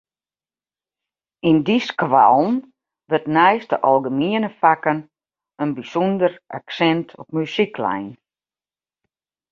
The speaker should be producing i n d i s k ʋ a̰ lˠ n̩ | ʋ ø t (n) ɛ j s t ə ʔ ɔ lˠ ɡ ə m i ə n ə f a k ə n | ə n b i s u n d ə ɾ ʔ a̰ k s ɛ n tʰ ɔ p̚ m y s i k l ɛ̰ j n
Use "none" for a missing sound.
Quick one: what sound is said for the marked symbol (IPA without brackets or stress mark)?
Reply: n